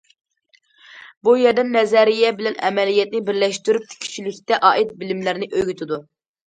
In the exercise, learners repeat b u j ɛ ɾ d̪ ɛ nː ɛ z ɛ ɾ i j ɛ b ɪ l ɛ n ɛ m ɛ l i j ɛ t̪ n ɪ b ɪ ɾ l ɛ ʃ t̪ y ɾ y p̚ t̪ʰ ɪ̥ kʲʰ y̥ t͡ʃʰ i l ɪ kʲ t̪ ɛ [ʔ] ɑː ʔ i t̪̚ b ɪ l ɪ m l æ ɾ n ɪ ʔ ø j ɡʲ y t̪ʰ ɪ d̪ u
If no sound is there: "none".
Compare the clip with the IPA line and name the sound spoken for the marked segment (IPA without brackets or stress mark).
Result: ʔ